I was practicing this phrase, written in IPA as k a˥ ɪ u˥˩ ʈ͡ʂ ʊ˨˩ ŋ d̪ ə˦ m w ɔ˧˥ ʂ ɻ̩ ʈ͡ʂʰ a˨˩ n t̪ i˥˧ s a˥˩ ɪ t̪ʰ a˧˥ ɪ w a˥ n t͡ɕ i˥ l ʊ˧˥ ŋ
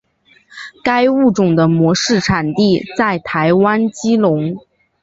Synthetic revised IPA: k a˥ ɪ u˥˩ ʈ͡ʂ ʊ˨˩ ŋ d̪ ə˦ m w ɔ˧˥ ʂ ɻ̩ ʈ͡ʂʰ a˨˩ n t̪ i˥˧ t͡s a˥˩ ɪ t̪ʰ a˧˥ ɪ w a˥ n t͡ɕ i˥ l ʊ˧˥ ŋ